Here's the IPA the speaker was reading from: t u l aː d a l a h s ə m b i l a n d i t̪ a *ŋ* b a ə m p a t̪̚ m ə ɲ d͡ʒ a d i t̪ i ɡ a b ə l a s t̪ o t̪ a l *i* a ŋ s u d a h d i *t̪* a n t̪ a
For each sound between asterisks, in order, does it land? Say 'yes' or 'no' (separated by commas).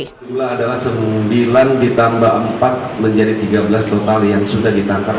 no, no, yes